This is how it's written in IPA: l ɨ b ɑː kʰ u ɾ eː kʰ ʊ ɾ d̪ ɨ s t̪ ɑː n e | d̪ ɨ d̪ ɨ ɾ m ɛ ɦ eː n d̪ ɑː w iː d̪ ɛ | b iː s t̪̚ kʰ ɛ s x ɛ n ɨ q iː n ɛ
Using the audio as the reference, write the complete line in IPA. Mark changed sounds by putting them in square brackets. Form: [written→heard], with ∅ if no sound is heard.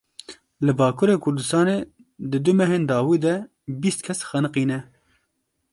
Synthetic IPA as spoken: l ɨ b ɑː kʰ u ɾ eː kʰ ʊ ɾ d̪ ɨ s t̪ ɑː n e | d̪ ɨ d̪ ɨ [ɾ→∅] m ɛ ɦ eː n d̪ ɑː w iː d̪ ɛ | b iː s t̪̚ kʰ ɛ s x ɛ n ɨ q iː n ɛ